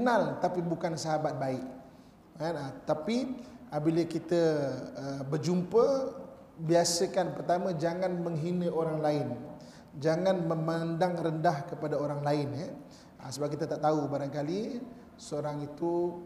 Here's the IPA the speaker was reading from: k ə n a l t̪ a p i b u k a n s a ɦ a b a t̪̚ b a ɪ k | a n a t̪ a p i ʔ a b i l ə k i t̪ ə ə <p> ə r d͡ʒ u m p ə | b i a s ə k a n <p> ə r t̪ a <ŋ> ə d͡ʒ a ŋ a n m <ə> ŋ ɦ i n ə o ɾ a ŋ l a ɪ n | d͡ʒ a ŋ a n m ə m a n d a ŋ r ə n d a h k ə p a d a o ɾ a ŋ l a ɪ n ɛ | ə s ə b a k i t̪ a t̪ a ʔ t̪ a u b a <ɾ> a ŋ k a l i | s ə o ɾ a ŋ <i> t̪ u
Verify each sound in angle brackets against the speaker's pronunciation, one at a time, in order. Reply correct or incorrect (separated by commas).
incorrect, correct, incorrect, correct, correct, correct